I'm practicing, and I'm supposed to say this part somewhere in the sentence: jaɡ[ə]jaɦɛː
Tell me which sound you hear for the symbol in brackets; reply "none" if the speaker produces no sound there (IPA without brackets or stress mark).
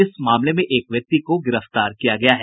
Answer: ɐ